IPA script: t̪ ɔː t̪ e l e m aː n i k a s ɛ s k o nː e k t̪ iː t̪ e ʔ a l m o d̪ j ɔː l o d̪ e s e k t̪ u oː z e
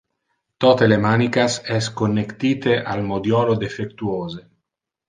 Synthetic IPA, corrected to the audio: t̪ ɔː t̪ e l e m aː n i k a s ɛ s k o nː e k t̪ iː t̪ e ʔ a l m o d̪ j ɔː l o d̪ e f e k t̪ u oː z e